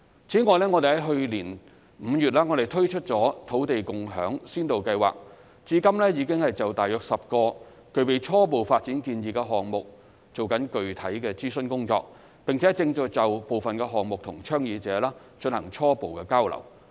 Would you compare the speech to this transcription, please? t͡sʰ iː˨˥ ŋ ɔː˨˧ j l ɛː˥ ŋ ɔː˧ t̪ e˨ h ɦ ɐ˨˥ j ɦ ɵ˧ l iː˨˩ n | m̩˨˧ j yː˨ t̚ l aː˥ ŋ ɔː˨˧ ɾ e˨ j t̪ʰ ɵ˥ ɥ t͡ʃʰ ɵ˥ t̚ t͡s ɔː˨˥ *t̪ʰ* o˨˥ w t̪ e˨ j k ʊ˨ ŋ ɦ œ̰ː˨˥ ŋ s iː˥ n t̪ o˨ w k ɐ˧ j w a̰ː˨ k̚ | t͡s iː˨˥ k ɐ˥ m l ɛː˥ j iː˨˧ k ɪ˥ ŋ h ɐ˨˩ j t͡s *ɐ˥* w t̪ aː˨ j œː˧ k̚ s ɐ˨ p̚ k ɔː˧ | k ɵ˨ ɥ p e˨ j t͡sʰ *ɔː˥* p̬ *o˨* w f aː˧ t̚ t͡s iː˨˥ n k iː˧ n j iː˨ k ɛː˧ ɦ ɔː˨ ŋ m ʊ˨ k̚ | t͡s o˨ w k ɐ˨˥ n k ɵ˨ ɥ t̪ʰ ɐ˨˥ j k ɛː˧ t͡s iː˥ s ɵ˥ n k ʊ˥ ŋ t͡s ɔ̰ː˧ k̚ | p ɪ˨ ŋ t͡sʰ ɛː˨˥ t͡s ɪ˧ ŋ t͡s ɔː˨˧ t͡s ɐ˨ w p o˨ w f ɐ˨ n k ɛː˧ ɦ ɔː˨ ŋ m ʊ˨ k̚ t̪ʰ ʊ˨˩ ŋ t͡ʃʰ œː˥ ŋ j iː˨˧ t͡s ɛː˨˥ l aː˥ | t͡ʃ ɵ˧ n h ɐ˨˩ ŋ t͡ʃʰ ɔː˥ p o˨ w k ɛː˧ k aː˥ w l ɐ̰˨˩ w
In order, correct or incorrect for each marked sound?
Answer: correct, incorrect: ɐ˨, correct, correct

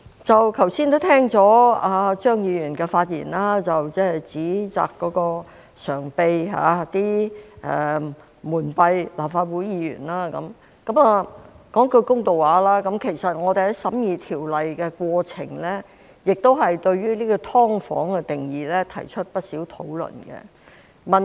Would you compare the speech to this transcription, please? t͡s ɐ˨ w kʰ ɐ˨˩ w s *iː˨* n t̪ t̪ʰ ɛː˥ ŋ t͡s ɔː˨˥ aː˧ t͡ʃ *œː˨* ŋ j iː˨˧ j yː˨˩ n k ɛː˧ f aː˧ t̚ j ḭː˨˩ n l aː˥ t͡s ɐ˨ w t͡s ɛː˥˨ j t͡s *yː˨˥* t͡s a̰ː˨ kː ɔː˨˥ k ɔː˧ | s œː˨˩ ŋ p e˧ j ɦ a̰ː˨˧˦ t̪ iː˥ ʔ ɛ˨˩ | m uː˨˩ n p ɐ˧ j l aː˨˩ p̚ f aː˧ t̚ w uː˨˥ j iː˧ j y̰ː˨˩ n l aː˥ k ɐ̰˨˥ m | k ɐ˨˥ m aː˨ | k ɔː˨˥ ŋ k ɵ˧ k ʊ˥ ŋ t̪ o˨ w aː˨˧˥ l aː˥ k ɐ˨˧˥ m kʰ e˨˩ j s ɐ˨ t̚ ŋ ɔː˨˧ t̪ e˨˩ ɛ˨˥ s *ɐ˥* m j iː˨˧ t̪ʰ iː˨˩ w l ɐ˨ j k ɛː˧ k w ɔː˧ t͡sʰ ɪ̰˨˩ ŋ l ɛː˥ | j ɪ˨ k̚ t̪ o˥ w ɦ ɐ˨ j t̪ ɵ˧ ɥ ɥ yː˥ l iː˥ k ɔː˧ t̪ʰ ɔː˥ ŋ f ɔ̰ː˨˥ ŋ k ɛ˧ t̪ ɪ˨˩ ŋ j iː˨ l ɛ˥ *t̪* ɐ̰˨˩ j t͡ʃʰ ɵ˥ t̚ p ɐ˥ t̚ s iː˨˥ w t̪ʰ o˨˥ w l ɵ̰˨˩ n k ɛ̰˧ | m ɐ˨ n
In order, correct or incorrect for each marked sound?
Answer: incorrect: iː˥, incorrect: œː˥, incorrect: iː˨˥, incorrect: ɐ˨˥, incorrect: t̪ʰ

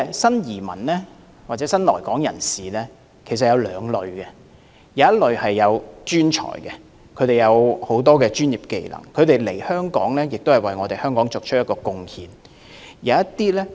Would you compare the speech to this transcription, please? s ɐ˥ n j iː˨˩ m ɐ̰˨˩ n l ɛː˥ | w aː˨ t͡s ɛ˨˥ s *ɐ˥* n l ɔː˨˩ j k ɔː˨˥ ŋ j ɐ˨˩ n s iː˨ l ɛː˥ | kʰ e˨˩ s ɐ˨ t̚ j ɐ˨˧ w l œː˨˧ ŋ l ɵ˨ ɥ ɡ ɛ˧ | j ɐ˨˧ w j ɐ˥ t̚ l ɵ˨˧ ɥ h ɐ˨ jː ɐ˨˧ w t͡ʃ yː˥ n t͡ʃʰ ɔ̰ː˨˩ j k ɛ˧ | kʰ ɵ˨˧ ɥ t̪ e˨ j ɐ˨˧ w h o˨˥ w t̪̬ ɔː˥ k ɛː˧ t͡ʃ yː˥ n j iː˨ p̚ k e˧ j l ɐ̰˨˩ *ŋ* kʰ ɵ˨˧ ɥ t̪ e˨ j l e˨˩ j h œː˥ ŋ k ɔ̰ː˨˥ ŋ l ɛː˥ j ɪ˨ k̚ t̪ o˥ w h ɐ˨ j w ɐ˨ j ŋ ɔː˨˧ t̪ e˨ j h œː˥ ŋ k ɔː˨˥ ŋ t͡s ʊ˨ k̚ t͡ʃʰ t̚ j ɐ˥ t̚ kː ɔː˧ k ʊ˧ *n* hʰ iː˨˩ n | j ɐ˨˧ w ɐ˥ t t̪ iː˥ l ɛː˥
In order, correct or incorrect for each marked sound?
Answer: correct, correct, incorrect: ŋ

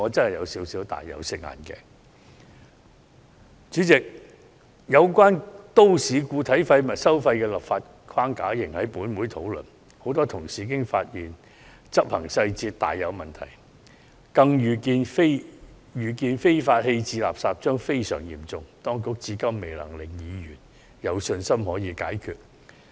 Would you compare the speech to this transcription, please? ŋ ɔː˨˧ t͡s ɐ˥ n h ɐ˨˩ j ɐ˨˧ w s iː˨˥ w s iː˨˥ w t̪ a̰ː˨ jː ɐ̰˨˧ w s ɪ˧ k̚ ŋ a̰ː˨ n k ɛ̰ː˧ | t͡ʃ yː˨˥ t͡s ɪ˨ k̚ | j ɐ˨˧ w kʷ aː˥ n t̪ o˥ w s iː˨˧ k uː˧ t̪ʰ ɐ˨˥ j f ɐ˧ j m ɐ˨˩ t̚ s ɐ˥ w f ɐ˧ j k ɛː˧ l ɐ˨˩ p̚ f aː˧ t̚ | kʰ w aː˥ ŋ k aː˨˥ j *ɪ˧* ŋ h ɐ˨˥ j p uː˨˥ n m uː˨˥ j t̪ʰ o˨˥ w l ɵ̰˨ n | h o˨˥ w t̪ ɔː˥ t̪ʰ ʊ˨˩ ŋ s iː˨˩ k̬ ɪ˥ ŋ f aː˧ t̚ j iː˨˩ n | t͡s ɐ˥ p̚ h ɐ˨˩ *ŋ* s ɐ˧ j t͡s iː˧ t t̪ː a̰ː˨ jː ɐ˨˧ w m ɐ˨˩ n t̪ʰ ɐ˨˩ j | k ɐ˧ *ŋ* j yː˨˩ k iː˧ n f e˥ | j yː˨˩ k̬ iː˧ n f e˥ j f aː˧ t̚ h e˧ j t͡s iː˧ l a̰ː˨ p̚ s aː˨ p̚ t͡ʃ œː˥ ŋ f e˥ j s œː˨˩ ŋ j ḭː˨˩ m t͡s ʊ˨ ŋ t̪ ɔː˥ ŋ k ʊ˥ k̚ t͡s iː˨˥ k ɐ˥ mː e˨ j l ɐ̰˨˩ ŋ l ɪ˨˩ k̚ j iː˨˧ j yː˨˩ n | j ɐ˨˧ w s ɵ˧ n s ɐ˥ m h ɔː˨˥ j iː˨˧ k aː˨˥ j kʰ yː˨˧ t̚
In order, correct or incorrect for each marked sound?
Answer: incorrect: ɪ˨˩, correct, correct

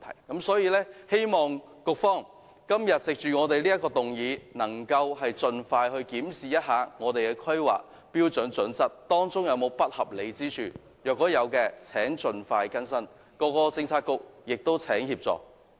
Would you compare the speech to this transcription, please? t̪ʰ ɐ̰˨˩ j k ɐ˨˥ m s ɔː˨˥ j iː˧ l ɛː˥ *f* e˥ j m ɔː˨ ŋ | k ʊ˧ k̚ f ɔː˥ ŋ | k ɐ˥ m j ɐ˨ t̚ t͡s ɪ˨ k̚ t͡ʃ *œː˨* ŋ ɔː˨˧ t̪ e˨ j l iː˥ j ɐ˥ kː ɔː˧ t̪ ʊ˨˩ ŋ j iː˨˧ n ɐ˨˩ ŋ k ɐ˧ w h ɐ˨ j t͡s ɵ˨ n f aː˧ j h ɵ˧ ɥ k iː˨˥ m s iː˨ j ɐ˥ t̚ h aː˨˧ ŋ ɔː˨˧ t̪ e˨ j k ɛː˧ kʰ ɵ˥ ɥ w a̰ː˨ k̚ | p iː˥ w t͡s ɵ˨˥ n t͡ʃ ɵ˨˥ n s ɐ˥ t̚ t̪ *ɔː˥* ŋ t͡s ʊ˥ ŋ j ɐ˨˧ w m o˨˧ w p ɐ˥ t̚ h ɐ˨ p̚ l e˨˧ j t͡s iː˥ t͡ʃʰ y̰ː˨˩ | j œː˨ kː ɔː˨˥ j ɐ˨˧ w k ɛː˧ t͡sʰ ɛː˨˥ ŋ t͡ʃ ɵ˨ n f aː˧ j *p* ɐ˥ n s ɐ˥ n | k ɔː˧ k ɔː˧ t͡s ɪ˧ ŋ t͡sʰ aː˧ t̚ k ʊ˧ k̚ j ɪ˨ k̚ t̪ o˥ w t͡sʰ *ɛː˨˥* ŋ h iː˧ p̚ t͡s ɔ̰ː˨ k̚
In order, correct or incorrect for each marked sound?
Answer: incorrect: h, incorrect: yː˨, correct, incorrect: k, correct

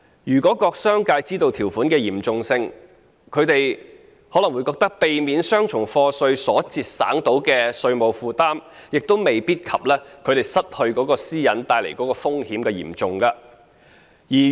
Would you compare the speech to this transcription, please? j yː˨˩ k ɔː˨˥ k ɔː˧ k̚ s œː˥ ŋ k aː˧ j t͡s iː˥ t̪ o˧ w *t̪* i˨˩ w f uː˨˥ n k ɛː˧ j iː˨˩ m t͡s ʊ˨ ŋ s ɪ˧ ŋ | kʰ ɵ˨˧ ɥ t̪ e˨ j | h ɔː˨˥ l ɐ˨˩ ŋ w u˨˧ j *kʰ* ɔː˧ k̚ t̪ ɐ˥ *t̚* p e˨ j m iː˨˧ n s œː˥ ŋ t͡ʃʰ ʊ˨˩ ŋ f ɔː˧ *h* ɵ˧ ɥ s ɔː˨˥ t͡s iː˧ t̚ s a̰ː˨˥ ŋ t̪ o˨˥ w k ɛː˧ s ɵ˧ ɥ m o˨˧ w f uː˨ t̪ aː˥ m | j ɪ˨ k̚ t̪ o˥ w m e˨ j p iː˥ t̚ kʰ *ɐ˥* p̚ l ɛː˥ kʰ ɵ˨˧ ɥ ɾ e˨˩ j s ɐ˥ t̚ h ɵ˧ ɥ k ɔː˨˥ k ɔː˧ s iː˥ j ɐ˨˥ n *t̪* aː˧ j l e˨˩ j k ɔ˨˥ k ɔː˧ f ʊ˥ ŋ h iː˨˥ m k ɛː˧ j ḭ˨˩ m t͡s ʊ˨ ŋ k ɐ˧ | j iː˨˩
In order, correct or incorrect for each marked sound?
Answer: incorrect: t̪ʰ, incorrect: k, incorrect: k̚, incorrect: s, incorrect: ɐ˨, correct

